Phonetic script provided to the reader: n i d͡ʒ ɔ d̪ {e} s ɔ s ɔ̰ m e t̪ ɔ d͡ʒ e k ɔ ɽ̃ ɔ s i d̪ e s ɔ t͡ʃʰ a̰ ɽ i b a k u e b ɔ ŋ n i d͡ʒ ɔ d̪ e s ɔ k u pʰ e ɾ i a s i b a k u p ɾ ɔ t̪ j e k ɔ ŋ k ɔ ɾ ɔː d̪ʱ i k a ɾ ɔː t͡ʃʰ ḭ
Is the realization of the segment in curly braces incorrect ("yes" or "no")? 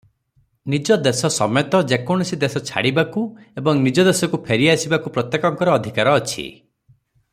no